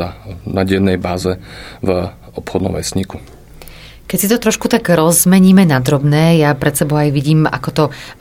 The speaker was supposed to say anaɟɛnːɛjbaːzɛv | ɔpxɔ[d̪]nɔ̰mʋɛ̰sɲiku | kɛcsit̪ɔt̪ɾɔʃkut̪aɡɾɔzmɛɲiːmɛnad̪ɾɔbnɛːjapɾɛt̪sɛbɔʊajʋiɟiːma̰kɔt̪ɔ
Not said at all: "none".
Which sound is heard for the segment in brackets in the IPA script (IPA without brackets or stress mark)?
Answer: d̪